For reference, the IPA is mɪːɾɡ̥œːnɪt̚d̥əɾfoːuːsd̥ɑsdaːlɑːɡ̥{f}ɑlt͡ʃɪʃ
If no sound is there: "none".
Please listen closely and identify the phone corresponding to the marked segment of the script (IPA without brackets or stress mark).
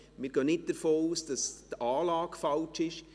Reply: f